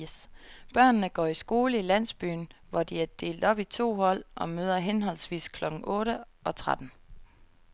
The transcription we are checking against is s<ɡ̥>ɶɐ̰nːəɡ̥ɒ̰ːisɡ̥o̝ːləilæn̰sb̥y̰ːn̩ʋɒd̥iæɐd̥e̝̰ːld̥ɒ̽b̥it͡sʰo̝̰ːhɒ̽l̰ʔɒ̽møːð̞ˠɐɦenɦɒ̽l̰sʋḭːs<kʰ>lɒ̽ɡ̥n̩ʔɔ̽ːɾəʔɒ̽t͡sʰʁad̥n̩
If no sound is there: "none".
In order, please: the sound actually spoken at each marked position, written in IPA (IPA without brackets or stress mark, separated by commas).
b̥, kʰ